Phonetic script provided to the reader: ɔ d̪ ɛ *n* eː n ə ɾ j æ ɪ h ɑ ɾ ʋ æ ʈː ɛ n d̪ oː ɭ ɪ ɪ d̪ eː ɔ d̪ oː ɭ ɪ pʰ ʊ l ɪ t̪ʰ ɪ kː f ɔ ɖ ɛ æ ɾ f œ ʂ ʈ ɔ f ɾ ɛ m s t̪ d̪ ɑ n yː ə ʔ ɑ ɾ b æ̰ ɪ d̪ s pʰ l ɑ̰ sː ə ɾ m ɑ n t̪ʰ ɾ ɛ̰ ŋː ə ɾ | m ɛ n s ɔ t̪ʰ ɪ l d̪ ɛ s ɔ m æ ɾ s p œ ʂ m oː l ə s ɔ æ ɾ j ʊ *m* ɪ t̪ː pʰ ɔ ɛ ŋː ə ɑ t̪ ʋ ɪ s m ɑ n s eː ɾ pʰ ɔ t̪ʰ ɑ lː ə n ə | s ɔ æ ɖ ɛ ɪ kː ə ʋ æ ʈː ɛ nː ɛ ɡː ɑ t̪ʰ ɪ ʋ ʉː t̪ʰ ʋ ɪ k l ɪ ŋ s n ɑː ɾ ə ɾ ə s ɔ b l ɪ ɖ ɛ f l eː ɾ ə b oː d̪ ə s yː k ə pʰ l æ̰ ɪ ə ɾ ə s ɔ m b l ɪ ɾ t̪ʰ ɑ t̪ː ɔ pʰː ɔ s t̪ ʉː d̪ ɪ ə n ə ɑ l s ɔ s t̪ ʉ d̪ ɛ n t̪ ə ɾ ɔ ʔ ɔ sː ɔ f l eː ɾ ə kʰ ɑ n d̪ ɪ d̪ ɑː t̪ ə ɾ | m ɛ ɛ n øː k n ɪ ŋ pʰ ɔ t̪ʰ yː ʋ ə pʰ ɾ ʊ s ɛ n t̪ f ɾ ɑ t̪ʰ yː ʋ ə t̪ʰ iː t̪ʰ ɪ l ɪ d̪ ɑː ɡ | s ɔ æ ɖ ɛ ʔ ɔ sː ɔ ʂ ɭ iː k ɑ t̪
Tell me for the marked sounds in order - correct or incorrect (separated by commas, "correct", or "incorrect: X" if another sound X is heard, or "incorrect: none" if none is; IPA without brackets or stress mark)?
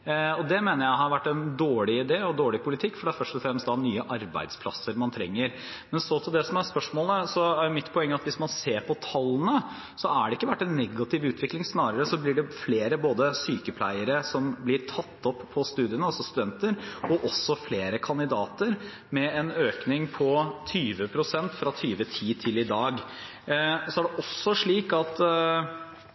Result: incorrect: m, correct